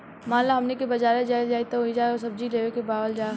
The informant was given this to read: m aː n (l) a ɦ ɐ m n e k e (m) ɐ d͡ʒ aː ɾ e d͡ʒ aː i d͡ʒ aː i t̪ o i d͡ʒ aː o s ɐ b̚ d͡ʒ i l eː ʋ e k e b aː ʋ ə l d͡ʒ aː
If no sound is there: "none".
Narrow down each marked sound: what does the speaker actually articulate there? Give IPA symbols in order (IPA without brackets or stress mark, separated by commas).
l, b